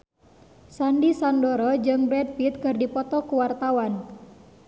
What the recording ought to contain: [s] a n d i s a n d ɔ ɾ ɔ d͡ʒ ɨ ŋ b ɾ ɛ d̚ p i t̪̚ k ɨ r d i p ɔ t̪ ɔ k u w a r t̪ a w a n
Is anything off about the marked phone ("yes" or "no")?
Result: no